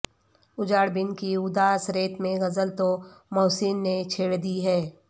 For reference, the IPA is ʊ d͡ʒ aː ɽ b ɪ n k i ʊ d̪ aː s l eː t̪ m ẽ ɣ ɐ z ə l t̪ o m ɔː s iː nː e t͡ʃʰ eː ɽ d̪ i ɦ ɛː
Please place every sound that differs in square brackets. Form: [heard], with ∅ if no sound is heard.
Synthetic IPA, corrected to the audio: ʊ d͡ʒ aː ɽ b ɪ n k i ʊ d̪ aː s [ɾ] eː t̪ m ẽ ɣ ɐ z ə l t̪ o m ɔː s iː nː e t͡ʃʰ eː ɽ d̪ i ɦ ɛː